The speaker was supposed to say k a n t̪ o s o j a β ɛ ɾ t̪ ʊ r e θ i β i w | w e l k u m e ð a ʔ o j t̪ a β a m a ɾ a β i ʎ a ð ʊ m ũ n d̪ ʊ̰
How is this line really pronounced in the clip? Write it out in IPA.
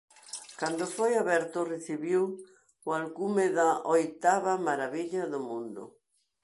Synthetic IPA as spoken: k a n d̪ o f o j a β ɛ ɾ t̪ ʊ r e θ i β i w | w a l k u m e ð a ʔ o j t̪ a β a m a ɾ a β i ʎ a ð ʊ m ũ n d̪ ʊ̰